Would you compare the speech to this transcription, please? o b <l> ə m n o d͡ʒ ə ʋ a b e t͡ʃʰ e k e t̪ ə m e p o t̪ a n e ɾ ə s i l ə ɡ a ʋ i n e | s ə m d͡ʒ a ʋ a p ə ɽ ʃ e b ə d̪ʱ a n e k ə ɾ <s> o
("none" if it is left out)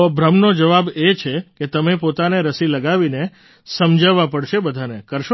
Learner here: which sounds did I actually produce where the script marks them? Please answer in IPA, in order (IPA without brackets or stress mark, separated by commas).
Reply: ɾ, ʃ